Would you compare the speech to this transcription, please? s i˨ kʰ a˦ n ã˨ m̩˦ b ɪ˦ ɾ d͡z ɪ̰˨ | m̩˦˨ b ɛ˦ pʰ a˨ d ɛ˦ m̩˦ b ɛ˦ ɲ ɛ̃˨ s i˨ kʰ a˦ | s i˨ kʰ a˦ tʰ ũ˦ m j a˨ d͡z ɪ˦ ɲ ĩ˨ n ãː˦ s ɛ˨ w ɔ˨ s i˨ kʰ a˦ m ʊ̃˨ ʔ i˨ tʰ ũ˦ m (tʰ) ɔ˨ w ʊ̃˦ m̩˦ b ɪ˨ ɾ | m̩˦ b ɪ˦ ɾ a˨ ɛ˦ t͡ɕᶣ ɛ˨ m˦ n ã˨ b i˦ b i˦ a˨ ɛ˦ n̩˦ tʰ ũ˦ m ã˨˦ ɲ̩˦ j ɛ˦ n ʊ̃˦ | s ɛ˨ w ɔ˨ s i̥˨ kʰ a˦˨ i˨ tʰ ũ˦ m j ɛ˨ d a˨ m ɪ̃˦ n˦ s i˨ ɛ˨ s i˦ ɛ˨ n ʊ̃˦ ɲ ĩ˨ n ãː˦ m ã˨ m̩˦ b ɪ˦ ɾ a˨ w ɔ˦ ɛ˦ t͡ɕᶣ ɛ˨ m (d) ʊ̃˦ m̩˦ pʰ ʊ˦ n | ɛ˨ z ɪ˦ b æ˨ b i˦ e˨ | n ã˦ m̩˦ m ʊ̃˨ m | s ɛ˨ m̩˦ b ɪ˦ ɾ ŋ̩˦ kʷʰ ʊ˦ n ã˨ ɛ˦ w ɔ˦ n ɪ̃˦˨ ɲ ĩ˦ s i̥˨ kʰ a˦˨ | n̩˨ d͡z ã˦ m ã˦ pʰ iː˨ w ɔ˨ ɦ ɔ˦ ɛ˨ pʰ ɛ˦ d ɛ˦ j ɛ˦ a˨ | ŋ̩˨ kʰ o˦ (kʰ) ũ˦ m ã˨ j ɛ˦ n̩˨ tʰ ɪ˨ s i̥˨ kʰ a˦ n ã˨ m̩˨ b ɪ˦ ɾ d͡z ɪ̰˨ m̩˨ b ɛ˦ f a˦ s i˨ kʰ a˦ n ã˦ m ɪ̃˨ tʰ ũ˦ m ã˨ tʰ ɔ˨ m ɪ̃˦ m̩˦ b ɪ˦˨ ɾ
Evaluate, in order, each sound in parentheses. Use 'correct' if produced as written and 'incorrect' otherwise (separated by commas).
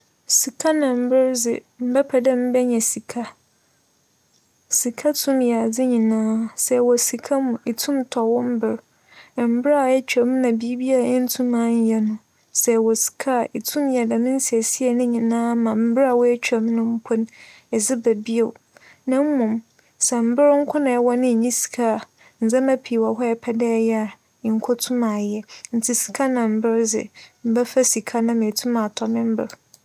correct, incorrect, incorrect